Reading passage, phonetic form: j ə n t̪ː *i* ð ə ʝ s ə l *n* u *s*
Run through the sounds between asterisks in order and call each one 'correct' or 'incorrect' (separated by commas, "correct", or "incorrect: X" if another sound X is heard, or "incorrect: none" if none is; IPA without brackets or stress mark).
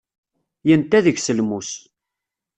incorrect: æ, incorrect: m, correct